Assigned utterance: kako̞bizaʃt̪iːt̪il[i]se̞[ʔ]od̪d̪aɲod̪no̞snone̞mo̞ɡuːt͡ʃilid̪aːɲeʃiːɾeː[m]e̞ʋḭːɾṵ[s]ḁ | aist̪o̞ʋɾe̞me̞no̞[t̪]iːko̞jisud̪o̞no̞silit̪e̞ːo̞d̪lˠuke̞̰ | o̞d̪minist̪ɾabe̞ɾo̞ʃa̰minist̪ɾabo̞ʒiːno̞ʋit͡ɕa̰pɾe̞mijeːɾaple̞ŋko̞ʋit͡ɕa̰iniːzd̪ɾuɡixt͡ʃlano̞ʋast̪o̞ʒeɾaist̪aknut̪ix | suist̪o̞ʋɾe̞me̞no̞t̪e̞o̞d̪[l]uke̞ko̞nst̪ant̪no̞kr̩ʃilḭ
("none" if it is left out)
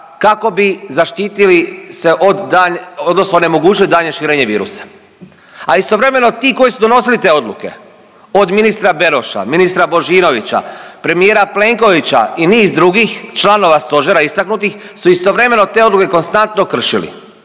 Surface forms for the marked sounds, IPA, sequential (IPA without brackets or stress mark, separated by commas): i, ʔ, ɲ, s, t̪, l